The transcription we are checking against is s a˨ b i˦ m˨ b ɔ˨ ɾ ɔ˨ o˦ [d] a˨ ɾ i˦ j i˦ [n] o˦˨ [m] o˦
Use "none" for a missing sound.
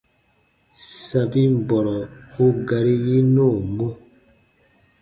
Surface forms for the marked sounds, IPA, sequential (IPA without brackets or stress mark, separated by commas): ɡ, n, m